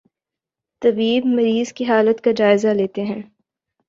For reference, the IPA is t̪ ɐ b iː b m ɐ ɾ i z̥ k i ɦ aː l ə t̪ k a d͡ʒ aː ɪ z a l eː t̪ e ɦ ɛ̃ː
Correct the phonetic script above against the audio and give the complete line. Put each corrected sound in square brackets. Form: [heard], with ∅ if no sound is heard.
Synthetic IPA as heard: t̪ ɐ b iː b m ɐ ɾ [iː] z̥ k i ɦ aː l ə t̪ k a d͡ʒ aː ɪ z a l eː t̪ e ɦ ɛ̃ː